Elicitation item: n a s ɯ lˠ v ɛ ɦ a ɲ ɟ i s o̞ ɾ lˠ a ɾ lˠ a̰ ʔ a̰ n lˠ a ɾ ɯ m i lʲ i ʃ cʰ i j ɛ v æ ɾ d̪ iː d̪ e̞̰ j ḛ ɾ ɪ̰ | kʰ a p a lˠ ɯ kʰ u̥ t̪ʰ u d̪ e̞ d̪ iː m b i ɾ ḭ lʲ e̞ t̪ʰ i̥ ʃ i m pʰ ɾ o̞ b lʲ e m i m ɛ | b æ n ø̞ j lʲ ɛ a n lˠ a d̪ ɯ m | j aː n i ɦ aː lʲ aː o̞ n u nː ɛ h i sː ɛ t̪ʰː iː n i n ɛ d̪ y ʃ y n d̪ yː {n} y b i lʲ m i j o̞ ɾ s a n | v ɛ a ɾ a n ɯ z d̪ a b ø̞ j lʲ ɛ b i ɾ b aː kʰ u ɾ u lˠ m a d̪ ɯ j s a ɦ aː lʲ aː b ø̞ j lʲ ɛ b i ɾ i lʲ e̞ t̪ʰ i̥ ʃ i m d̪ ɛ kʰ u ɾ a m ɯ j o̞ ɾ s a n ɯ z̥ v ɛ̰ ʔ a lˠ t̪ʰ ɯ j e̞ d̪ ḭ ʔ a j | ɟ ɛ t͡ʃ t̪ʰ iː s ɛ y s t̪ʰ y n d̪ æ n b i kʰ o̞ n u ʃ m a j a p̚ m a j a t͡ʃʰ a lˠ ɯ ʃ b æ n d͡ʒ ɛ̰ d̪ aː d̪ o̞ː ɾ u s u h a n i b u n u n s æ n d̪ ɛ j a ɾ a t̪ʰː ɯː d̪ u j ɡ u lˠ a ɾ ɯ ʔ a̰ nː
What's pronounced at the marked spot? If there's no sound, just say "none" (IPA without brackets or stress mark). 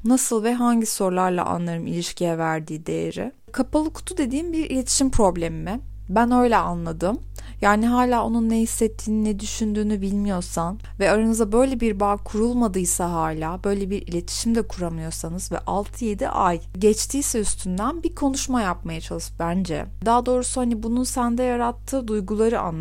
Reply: n